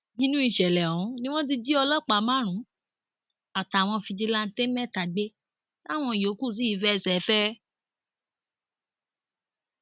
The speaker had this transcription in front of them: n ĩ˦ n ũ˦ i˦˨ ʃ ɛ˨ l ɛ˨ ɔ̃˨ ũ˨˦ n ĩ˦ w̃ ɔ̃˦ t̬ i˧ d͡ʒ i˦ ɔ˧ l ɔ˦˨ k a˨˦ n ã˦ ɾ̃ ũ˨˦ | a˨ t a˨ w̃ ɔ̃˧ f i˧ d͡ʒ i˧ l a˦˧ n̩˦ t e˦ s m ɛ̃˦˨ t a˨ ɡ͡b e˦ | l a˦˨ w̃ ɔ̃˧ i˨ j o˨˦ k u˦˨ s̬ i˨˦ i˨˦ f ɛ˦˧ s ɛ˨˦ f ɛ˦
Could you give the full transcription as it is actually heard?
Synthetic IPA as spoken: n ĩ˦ n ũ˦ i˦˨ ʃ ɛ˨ l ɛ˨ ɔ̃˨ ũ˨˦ n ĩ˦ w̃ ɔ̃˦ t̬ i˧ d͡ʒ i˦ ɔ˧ l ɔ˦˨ k͡p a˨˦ m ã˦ ɾ̃ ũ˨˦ | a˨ t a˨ w̃ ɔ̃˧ f i˧ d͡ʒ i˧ l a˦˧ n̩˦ t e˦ m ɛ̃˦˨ t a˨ ɡ͡b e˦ | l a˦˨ w̃ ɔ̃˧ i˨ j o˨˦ k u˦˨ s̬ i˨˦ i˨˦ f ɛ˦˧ s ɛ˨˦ f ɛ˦